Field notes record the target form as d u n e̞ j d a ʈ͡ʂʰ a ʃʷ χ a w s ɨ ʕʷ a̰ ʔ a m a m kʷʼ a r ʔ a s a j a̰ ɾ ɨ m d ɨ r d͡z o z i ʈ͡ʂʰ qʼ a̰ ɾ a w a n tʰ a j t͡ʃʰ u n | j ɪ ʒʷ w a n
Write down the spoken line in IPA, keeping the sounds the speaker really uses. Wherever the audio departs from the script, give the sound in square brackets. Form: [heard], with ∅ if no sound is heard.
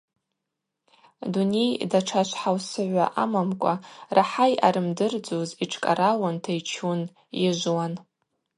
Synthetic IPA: d u n e̞ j d a ʈ͡ʂʰ a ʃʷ [ħ] a w s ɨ ʕʷ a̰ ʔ a m a m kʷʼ a r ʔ a [ħ] a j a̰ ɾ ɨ m d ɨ r d͡z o z i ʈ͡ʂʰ [kʼ] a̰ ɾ a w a n tʰ a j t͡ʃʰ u n | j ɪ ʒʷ w a n